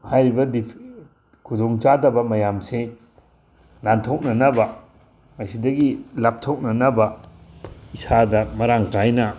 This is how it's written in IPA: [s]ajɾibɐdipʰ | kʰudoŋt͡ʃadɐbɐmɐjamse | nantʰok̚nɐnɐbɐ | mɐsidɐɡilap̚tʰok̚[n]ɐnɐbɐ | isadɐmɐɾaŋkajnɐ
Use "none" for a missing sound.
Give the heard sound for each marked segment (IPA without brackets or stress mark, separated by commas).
h, n